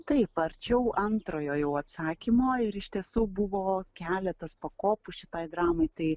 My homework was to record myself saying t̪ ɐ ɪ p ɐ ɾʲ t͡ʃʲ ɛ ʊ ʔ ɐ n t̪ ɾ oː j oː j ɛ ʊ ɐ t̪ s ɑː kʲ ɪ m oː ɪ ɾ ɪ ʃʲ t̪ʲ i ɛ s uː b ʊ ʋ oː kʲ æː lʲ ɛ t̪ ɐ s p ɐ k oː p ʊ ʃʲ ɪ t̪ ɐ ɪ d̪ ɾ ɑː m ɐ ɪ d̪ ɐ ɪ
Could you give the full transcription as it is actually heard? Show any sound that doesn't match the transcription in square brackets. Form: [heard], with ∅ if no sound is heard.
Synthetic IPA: t̪ ɐ ɪ p ɐ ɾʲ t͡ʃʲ ɛ ʊ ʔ ɐ n t̪ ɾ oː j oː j ɛ ʊ ɐ t̪ s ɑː kʲ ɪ m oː ɪ ɾ ɪ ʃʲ t̪ʲ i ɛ s uː b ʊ ʋ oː kʲ æː lʲ ɛ t̪ ɐ s p ɐ k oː p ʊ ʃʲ ɪ t̪ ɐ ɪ d̪ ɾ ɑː m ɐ ɪ [t̪] ɐ ɪ

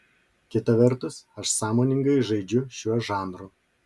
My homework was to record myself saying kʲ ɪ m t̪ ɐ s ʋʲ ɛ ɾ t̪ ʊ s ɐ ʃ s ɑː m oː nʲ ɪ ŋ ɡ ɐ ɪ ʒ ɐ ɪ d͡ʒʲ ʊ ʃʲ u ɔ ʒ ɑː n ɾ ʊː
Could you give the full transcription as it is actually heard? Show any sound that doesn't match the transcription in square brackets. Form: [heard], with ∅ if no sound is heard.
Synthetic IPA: kʲ ɪ [∅] t̪ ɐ [∅] ʋʲ ɛ ɾ t̪ ʊ s ɐ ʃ s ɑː m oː nʲ ɪ ŋ ɡ ɐ ɪ ʒ ɐ ɪ d͡ʒʲ ʊ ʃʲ u ɔ ʒ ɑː n ɾ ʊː

